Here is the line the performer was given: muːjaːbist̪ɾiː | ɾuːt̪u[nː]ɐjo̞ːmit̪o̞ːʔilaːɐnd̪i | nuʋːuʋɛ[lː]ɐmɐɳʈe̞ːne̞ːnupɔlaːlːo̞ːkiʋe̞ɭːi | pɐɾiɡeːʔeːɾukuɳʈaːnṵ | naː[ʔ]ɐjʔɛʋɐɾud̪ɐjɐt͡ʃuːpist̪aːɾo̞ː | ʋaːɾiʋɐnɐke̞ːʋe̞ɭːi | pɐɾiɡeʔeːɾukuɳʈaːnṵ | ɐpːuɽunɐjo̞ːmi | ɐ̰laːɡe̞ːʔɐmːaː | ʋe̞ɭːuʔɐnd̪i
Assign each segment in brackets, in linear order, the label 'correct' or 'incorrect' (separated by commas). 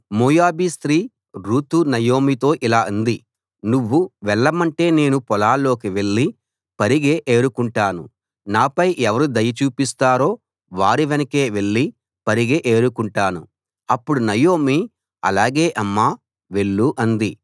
incorrect, incorrect, incorrect